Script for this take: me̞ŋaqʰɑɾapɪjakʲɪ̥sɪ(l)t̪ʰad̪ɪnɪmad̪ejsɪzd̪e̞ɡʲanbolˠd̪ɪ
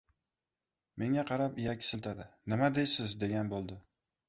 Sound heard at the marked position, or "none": l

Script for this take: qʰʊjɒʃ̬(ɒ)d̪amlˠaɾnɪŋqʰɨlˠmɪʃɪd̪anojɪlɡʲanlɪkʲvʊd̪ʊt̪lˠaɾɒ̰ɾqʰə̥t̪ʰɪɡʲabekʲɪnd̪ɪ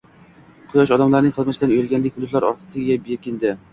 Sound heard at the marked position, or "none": ɒ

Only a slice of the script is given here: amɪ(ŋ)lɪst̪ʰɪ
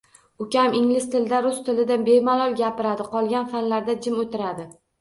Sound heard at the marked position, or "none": ŋ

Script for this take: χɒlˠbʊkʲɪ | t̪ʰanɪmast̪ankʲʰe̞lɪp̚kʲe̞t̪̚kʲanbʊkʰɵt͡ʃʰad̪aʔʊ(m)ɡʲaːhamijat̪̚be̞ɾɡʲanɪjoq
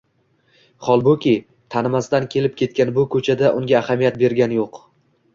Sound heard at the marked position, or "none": ŋ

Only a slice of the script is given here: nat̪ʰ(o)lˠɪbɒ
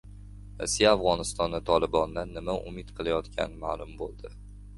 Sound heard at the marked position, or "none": ɒ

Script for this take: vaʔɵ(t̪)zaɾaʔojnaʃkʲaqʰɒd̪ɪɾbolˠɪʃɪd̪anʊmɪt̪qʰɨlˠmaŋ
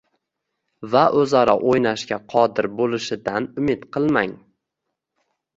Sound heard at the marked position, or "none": none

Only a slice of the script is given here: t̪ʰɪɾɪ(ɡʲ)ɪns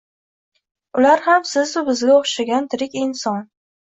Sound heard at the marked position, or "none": kʲ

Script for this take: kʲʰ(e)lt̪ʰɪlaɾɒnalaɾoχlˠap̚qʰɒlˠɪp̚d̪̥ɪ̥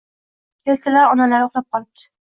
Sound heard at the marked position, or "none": e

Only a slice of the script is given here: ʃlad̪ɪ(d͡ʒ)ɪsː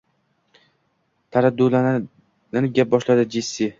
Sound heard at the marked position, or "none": d͡ʒ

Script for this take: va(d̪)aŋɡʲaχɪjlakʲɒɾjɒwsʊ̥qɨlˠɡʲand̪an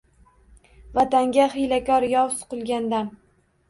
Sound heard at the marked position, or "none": t̪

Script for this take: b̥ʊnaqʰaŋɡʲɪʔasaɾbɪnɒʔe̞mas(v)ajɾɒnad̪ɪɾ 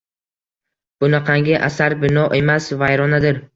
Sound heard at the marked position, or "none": v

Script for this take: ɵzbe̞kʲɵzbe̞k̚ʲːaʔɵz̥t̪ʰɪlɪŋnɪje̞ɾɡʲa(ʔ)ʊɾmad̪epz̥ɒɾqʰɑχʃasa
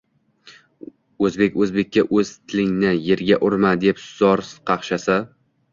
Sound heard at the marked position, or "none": ʔ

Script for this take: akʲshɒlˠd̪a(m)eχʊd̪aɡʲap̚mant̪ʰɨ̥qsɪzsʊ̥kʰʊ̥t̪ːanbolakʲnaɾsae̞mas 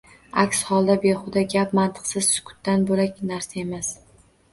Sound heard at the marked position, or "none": b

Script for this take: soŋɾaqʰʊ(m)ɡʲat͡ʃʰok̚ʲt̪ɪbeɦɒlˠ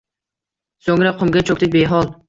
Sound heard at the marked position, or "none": m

